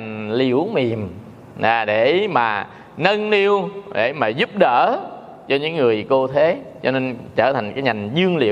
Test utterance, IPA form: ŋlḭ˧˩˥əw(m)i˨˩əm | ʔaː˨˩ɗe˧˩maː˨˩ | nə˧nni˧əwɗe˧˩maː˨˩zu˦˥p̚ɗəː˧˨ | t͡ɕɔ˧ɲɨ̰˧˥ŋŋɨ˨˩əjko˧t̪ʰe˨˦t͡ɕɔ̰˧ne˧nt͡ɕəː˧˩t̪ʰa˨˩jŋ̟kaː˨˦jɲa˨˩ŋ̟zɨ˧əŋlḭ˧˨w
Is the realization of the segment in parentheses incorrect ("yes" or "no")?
no